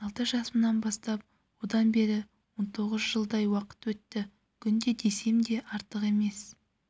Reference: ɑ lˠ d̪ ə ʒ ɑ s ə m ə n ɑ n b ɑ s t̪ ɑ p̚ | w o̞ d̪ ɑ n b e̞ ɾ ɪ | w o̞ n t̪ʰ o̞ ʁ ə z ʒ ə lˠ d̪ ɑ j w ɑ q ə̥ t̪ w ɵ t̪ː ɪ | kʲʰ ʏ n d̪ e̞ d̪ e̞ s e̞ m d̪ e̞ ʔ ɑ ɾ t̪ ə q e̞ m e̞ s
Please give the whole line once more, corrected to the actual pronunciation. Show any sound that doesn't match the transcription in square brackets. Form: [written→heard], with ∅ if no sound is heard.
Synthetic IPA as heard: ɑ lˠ [d̪→t̪] ə ʒ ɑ s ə m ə n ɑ n b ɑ s t̪ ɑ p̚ | w o̞ d̪ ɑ n b e̞ ɾ ɪ | w o̞ n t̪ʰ o̞ ʁ ə z ʒ ə lˠ d̪ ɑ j w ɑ q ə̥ t̪ w ɵ t̪ː ɪ | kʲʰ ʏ n d̪ e̞ d̪ e̞ s e̞ m d̪ e̞ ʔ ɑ ɾ t̪ ə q e̞ m e̞ s